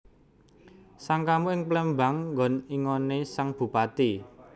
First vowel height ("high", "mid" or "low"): low